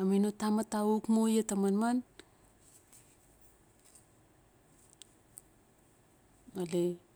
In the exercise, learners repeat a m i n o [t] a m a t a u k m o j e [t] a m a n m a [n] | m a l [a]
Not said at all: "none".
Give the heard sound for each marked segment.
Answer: t, t, n, e

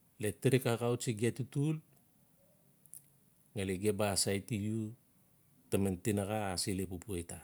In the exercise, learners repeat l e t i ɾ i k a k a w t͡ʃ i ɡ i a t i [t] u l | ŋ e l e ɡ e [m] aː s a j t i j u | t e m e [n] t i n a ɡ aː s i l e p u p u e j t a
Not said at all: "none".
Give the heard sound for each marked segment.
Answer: t, b, n

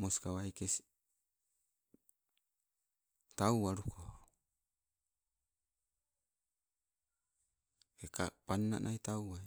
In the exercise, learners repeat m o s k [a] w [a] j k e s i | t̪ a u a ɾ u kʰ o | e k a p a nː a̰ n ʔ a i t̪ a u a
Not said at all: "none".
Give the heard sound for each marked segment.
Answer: a, a

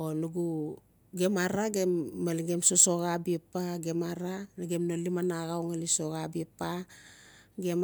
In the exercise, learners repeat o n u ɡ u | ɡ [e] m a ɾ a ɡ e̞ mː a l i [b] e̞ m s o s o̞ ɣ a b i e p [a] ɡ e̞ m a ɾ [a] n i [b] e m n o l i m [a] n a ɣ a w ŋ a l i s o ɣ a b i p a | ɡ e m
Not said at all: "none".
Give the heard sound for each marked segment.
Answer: e, ɡ, a, a, ɡ, a

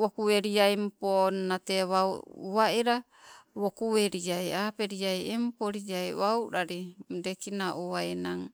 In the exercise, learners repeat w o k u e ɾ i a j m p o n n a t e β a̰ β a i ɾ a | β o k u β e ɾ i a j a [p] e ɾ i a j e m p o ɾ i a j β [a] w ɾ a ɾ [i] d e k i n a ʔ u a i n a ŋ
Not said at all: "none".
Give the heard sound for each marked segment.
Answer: p, a, i

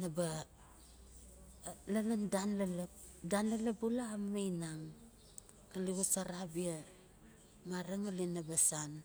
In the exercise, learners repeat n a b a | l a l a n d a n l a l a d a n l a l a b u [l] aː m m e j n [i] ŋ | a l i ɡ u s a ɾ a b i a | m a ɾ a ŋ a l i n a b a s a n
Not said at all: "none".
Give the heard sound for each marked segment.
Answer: l, a

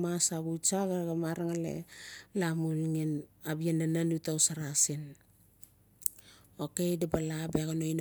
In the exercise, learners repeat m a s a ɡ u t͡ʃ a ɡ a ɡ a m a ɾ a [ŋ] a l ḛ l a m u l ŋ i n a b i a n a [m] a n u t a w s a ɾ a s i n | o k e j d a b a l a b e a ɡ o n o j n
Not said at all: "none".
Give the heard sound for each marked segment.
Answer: ŋ, n

